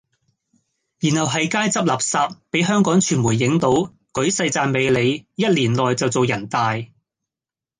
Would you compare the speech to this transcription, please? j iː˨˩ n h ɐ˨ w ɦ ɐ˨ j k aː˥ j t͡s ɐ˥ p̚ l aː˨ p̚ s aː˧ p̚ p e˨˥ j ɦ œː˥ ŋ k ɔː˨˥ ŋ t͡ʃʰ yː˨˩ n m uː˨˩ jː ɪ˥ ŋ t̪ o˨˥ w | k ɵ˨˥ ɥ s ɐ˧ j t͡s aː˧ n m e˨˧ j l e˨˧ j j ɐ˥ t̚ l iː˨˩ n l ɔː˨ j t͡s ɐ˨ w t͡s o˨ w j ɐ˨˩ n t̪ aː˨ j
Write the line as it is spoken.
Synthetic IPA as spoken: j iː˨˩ n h ɐ˨ w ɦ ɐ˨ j k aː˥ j t͡s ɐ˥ p̚ l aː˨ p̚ s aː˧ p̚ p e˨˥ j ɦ œː˥ ŋ k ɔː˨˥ ŋ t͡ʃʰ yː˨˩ n m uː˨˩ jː ɪ˨˥ ŋ t̪ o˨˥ w | k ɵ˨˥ ɥ s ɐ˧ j t͡s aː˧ n m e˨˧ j l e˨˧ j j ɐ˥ t̚ l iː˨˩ n l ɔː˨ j t͡s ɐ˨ w t͡s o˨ w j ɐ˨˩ n t̪ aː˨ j